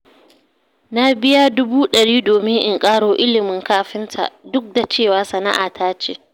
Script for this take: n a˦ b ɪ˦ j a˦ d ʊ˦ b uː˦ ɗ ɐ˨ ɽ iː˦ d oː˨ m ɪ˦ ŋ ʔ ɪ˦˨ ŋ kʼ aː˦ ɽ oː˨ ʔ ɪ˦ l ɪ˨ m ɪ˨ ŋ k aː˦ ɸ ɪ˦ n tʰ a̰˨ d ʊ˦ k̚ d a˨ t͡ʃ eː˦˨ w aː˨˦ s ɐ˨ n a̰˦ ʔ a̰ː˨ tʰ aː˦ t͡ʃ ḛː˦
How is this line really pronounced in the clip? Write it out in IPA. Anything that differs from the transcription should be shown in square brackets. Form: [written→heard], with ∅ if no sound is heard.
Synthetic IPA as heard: n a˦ b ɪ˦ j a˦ d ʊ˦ b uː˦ ɗ ɐ˨ ɽ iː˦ d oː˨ m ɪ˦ ŋ ʔ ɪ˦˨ ŋ kʼ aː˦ ɽ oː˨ ʔ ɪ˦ l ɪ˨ m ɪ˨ ŋ k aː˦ ɸ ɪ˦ n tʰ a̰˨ d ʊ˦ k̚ d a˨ t͡ʃ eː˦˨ w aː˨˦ s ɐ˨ n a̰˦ ʔ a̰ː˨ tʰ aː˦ t͡ʃ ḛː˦